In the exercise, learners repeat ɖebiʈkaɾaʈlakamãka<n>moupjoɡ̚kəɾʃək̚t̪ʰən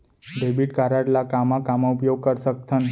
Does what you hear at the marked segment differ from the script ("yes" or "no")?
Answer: yes